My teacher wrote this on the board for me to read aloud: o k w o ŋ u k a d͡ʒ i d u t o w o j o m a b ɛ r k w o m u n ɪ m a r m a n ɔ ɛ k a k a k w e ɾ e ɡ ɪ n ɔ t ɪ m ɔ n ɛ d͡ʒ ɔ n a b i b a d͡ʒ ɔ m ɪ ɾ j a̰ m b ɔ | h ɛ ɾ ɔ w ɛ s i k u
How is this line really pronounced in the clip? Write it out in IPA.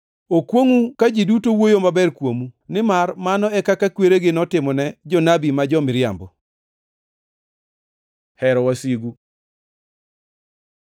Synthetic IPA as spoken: o k w o ŋ u k a d͡ʒ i d u t o w o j o m a b ɛ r k w o m u n ɪ m a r m a n ɔ ɛ k a k a k w e ɾ e ɡ ɪ n ɔ t ɪ m ɔ n ɛ d͡ʒ ɔ n a b i m a d͡ʒ ɔ m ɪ ɾ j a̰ m b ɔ | h ɛ ɾ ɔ w a s i ɡ u

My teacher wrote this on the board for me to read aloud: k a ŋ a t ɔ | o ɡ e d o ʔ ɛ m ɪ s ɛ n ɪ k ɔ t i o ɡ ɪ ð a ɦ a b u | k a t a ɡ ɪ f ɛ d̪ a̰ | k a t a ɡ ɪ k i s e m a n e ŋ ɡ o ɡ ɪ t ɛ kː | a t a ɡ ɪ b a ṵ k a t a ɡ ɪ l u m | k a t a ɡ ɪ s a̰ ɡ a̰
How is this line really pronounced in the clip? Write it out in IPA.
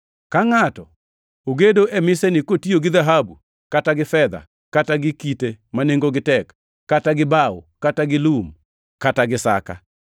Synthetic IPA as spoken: k a ŋ a t ɔ | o ɡ e d o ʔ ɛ m ɪ s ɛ n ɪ k o t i o ɡ ɪ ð a ɦ a b u | k a t a ɡ ɪ f ɛ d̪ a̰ | k a t a ɡ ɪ k i t e m a n e ŋ ɡ o ɡ ɪ t ɛ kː | a t a ɡ ɪ b a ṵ k a t a ɡ ɪ l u m | k a t a ɡ ɪ s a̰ k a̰

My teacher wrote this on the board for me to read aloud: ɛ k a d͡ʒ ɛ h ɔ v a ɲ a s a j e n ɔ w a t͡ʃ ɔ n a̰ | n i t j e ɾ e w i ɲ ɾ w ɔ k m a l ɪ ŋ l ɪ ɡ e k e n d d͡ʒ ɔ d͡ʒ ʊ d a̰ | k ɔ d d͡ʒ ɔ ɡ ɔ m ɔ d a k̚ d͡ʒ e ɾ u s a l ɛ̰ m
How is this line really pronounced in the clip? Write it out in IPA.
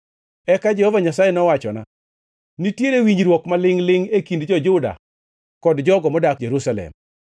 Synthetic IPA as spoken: ɛ k a d͡ʒ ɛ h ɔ v a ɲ a s a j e n ɔ w a t͡ʃ ɔ n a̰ | n i t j e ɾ e w i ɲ ɾ w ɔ k m a l ɪ ŋ l ɪ ŋ e k i n d d͡ʒ ɔ d͡ʒ ʊ d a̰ | k ɔ d d͡ʒ ɔ ɡ ɔ m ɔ d a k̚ d͡ʒ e ɾ u s a l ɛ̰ m

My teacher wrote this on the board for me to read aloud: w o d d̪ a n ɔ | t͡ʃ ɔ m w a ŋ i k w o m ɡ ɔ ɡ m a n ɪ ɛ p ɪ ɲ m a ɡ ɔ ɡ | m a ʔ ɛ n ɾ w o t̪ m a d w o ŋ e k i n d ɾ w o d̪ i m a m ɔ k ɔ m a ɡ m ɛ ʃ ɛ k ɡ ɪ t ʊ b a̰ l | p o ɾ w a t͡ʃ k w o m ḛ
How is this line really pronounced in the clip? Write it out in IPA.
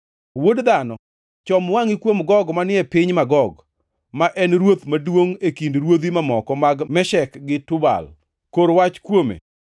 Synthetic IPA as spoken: w o d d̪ a n ɔ | t͡ʃ ɔ m w a ŋ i k w o m ɡ ɔ ɡ m a n ɪ ɛ p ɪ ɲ m a ɡ ɔ ɡ | m a ʔ ɛ n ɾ w o t̪ m a d w o ŋ e k i n d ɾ w o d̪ i m a m ɔ k ɔ m a ɡ m ɛ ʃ ɛ k ɡ ɪ t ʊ b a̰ l | k o ɾ w a t͡ʃ k w o m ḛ

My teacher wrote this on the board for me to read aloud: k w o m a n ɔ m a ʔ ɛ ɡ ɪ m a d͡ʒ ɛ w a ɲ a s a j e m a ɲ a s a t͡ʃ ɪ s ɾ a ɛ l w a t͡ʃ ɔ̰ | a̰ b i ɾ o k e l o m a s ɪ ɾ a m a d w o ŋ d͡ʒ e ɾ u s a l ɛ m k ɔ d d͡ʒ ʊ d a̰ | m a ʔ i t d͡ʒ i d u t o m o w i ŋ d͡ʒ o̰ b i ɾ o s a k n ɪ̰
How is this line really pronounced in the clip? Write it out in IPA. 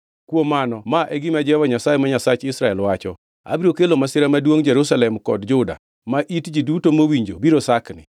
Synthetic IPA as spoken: k w o m a n ɔ m a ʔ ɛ ɡ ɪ m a d͡ʒ ɛ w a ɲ a s a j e m a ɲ a s a t͡ʃ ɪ s ɾ a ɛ l w a t͡ʃ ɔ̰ | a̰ b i ɾ o k e l o m a s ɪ ɾ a m a d w o ŋ d͡ʒ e ɾ u s a l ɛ m k ɔ d d͡ʒ ʊ d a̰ | m a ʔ i t d͡ʒ i d u t o m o w i ɲ d͡ʒ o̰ b i ɾ o s a k n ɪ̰

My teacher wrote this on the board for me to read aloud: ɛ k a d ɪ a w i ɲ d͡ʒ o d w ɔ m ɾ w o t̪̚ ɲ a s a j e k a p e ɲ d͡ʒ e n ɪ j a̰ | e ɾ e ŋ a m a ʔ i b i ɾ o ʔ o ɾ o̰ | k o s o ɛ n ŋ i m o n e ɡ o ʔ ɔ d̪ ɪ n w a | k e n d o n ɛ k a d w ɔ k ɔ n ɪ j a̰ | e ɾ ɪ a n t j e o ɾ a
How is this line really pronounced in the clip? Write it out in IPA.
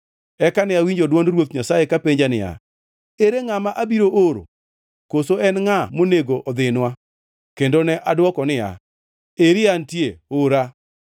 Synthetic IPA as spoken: ɛ k a n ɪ a w i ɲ d͡ʒ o d w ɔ n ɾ w o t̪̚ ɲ a s a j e k a p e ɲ d͡ʒ a n ɪ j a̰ | e ɾ e ŋ a m a ʔ a b i ɾ o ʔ o ɾ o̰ | k o s o ɛ n ŋ a m o n e ɡ o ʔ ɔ d̪ ɪ n w a | k e n d o n ɛ ʔ a d w ɔ k ɔ n ɪ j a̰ | e ɾ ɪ a n t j e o ɾ a

